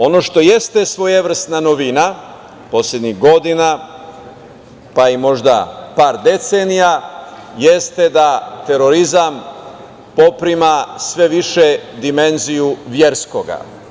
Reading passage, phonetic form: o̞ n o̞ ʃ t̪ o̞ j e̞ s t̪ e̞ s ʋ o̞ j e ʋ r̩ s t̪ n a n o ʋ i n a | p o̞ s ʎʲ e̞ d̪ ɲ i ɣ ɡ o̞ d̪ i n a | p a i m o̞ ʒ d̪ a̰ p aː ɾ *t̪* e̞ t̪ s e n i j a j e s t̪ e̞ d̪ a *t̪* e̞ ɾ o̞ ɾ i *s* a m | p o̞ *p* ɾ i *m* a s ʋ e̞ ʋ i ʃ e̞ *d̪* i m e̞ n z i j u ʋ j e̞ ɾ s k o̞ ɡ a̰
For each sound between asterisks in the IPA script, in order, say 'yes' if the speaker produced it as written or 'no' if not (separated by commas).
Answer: no, yes, no, yes, yes, yes